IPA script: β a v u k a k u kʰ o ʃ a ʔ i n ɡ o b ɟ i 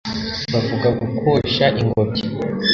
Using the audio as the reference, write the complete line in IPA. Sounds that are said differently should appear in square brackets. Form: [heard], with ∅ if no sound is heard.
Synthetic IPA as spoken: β a v u [ɡ] a [ɡ] u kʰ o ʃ a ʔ i [ŋ] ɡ o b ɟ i